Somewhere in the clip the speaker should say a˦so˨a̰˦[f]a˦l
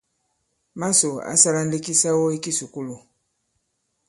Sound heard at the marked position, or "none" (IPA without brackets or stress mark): s